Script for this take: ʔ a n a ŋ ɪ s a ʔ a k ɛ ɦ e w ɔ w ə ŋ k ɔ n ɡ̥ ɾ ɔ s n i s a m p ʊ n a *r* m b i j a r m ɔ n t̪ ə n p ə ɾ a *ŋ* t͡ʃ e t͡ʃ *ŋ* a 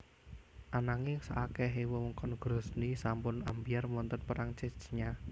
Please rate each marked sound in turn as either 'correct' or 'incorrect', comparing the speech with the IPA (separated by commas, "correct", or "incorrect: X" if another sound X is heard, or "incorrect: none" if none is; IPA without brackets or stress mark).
incorrect: none, correct, incorrect: ɲ